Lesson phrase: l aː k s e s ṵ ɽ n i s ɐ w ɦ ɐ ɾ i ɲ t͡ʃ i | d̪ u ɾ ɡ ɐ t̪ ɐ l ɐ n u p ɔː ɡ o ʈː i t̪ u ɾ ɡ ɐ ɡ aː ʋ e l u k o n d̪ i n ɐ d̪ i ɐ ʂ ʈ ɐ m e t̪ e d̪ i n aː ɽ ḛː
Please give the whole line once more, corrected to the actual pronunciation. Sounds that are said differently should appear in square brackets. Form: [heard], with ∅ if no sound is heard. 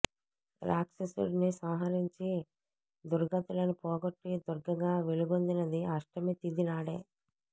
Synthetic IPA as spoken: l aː k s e s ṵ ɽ n i s ɐ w ɦ ɐ ɾ i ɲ t͡ʃ i | d̪ u ɾ ɡ ɐ t̪ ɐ l ɐ n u p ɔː ɡ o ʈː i [d̪] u ɾ ɡ ɐ ɡ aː ʋ e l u [ɡ] o n d̪ i n ɐ d̪ i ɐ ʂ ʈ ɐ m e t̪ [i] d̪ i n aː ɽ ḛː

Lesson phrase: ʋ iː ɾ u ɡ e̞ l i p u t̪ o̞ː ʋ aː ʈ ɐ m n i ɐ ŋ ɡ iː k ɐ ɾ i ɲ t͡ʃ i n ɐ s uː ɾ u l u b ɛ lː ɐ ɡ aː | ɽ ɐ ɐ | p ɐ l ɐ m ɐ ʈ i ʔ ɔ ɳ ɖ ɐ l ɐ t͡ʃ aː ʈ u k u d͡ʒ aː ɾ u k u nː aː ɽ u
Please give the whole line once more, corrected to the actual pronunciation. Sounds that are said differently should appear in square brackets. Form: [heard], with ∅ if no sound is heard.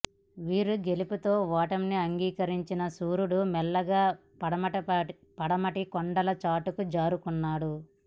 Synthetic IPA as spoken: ʋ iː ɾ u ɡ e̞ l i p u t̪ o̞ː ʋ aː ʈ ɐ m n i ɐ ŋ ɡ iː k ɐ ɾ i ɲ t͡ʃ i n ɐ s uː ɾ u [ɽ] u [m] ɛ lː ɐ ɡ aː | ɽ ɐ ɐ | p ɐ [ɽ] ɐ m ɐ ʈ i [k] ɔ ɳ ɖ ɐ l ɐ t͡ʃ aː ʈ u k u d͡ʒ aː ɾ u k u nː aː ɽ u

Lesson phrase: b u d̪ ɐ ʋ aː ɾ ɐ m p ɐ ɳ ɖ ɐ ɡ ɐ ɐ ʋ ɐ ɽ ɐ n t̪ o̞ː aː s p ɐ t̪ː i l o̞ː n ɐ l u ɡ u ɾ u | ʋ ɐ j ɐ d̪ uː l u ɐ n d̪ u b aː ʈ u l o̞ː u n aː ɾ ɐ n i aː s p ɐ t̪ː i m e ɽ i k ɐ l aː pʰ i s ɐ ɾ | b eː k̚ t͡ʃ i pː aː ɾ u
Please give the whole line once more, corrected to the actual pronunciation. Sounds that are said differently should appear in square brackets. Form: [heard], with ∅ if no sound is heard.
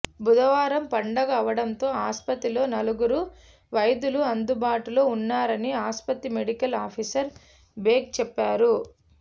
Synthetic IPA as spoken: b u d̪ ɐ ʋ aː ɾ ɐ m p ɐ ɳ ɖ ɐ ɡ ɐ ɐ ʋ ɐ ɽ ɐ n t̪ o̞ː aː s p ɐ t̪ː i l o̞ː n ɐ l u ɡ u ɾ u | ʋ ɐ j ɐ d̪ [u] l u ɐ n d̪ u b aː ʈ u l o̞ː u [nː] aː ɾ ɐ n i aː s p ɐ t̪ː i m e ɽ i k ɐ l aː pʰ i s ɐ ɾ | b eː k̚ t͡ʃ [ɛ] pː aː ɾ u

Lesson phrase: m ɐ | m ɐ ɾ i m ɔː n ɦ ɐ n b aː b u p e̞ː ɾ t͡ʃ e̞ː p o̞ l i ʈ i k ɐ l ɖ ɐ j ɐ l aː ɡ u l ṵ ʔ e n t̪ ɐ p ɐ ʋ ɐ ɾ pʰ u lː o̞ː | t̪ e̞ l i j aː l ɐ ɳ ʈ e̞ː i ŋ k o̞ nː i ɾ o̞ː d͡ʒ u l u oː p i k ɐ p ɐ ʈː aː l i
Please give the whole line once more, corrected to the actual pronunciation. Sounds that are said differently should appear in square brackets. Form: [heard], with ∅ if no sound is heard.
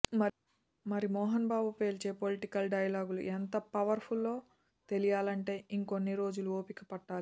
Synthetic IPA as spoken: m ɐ | m ɐ ɾ i m ɔː [∅] ɦ ɐ n b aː b u p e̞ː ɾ t͡ʃ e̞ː p o̞ l i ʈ i k ɐ l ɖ ɐ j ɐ l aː ɡ u l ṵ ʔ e n t̪ ɐ p ɐ ʋ ɐ ɾ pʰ u lː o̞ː | t̪ e̞ l i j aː l ɐ ɳ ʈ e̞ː i ŋ k o̞ nː i ɾ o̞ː d͡ʒ u l u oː p i k ɐ p ɐ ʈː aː l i

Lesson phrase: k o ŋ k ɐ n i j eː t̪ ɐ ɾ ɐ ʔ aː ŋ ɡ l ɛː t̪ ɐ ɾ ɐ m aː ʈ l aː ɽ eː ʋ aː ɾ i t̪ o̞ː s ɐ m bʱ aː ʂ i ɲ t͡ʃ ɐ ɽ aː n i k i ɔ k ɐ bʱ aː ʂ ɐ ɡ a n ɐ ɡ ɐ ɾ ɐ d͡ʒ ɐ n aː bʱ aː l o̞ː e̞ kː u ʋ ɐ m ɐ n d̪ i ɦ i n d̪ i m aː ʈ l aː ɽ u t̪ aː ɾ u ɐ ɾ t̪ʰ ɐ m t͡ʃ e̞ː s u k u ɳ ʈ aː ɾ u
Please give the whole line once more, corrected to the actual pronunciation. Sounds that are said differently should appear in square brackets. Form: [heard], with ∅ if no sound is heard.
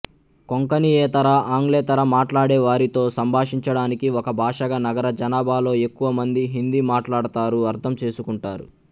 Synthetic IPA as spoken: k o ŋ k ɐ n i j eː t̪ ɐ ɾ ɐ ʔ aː ŋ ɡ l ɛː t̪ ɐ ɾ ɐ m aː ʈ l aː ɽ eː ʋ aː ɾ i t̪ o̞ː s ɐ m bʱ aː ʂ i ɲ t͡ʃ ɐ ɽ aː n i k i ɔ k ɐ bʱ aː ʂ ɐ ɡ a n ɐ ɡ ɐ ɾ ɐ d͡ʒ ɐ n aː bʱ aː l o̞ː e̞ kː u ʋ ɐ m ɐ n d̪ i ɦ i n d̪ i m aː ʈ l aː ɽ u t̪ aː ɾ u ɐ ɾ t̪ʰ ɐ m t͡ʃ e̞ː s u k u ɳ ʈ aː ɾ u

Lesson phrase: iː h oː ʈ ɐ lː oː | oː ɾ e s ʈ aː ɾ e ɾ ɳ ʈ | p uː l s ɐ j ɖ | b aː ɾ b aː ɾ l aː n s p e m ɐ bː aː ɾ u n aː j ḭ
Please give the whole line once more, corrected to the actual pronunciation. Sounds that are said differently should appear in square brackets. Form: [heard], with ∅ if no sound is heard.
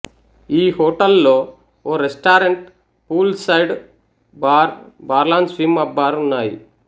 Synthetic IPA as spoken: iː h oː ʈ ɐ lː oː | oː ɾ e s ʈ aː ɾ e [∅] ɳ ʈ | p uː l s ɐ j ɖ | b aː ɾ b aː ɾ l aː n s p [i] m ɐ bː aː ɾ u [nː] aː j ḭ

